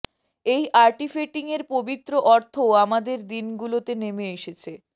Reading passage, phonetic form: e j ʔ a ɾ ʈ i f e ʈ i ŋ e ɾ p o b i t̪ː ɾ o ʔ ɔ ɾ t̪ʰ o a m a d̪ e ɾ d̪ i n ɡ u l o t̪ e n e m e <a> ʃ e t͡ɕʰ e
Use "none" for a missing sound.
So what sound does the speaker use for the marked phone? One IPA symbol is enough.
e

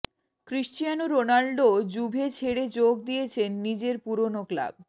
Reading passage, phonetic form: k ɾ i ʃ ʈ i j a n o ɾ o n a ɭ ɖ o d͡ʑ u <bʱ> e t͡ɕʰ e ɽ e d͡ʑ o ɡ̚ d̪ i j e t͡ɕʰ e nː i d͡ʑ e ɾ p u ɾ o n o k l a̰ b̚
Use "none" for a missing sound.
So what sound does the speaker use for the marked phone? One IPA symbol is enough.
bʱ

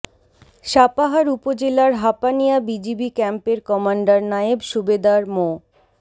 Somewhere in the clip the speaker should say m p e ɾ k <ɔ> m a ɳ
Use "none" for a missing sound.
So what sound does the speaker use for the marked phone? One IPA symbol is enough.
ɔ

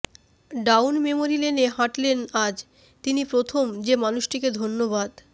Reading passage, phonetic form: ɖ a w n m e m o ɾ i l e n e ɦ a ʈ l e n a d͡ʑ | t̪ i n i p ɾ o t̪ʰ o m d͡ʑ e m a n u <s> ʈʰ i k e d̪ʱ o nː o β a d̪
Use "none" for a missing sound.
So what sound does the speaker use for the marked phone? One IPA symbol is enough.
ʃ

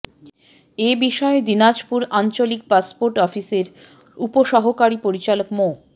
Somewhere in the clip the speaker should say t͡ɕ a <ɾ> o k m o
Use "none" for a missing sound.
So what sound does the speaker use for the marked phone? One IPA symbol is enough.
l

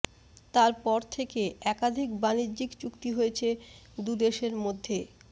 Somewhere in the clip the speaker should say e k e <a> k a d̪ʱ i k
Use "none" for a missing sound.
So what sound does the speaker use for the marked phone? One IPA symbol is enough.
ɛ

